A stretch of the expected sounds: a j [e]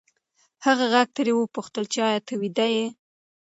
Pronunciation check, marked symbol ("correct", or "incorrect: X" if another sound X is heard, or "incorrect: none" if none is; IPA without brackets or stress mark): correct